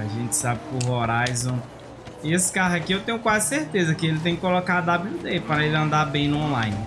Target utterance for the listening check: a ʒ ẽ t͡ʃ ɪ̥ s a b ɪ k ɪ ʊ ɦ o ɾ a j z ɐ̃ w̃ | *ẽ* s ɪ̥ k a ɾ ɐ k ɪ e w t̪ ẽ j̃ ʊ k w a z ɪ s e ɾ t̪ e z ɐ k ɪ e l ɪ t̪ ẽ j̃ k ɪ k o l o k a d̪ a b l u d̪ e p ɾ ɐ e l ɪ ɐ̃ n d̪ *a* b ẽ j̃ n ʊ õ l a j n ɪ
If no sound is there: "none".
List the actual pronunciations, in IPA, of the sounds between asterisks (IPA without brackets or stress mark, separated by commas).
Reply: e, a